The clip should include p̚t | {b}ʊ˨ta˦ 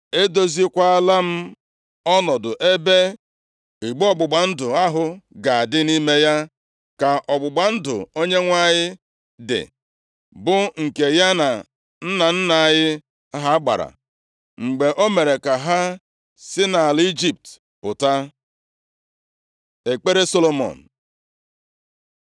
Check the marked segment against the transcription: incorrect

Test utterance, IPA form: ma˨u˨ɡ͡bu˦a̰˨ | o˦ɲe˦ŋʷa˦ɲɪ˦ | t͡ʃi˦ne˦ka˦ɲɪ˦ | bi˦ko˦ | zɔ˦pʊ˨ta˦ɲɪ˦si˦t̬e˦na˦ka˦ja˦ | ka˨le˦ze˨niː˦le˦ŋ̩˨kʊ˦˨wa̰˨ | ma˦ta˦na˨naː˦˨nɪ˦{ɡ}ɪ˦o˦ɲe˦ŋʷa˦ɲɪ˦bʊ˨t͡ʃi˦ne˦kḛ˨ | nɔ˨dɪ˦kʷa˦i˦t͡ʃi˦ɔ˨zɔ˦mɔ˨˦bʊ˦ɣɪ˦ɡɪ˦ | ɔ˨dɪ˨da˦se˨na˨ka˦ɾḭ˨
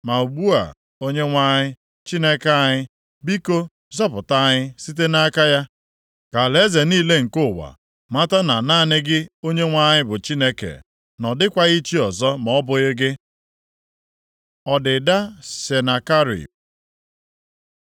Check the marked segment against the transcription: correct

